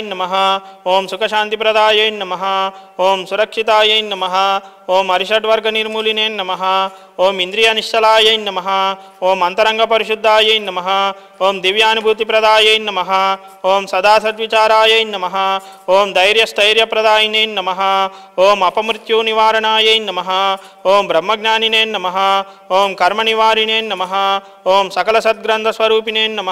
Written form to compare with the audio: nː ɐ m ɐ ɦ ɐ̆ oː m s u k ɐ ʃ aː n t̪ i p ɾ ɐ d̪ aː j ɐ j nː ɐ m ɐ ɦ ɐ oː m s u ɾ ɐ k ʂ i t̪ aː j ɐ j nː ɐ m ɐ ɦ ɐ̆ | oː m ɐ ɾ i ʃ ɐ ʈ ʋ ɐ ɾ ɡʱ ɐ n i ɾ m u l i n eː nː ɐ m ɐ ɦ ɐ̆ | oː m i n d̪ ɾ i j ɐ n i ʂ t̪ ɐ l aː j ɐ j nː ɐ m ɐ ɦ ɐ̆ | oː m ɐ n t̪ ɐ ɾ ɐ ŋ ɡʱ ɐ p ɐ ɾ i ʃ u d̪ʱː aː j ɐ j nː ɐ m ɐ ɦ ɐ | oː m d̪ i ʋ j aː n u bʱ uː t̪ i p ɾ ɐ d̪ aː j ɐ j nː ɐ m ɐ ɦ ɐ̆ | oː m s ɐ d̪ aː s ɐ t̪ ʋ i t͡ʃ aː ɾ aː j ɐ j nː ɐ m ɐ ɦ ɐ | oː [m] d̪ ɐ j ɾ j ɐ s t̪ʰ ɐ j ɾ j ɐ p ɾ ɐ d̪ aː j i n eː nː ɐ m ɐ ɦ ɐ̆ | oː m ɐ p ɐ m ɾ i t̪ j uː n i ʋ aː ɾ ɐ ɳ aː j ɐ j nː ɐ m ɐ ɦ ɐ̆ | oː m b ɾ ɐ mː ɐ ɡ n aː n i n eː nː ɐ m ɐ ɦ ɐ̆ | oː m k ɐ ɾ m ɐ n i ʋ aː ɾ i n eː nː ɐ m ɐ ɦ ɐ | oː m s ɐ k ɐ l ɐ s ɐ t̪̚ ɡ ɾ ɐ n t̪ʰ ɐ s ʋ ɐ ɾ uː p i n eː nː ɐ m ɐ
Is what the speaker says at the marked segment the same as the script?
yes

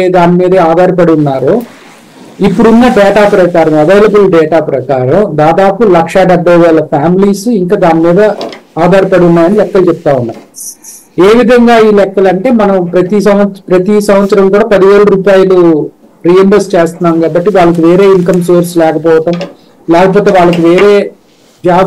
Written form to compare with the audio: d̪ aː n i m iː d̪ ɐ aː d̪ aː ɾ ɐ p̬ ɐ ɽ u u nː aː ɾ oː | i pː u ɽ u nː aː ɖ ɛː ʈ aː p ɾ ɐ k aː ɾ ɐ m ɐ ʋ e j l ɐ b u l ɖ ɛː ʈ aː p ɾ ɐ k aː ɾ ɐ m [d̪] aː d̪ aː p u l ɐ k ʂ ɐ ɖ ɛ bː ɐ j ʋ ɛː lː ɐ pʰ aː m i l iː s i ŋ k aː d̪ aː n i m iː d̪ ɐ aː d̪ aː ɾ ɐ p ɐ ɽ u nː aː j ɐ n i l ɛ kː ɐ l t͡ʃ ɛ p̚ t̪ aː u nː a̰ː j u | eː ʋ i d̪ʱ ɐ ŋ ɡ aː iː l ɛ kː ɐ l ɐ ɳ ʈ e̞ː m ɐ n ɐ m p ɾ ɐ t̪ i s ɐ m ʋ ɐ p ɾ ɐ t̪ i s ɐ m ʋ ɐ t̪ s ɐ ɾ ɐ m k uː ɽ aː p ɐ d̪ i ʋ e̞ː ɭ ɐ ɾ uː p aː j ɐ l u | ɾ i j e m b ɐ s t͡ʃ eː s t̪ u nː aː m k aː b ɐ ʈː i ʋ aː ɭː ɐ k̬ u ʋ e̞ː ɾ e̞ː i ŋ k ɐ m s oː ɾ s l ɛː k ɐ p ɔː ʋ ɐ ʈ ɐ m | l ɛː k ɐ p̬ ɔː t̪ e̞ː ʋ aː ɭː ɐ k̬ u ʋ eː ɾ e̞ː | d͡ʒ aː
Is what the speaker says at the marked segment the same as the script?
yes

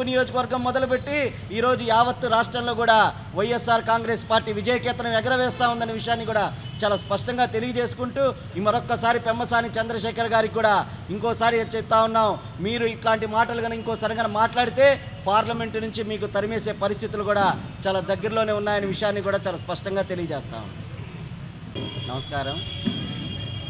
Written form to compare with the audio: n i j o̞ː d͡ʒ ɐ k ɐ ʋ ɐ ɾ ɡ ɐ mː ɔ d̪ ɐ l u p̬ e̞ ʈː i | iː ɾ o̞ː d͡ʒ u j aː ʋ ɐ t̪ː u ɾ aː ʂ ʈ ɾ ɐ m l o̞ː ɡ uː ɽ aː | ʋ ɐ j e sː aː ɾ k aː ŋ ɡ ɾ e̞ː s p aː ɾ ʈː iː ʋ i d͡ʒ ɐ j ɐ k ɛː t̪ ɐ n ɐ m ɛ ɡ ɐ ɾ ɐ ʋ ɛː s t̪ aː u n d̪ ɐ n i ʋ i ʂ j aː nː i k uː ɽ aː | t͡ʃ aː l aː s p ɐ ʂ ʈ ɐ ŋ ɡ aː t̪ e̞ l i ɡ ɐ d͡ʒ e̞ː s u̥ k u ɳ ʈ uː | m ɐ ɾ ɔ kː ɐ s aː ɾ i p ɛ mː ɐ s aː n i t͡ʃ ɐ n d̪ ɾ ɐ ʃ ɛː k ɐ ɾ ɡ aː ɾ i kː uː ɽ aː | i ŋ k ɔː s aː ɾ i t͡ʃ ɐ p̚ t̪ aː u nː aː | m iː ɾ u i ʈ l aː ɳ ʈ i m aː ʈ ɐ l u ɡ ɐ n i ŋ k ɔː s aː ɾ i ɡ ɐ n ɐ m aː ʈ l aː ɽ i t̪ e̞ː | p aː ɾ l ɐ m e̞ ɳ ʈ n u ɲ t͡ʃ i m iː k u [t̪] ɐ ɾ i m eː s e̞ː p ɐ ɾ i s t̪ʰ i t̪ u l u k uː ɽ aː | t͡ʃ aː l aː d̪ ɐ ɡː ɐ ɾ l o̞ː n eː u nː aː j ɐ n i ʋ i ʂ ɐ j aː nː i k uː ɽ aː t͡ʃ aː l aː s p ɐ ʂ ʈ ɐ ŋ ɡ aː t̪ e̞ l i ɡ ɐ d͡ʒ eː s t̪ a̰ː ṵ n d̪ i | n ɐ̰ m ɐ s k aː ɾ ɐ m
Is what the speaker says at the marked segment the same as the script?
yes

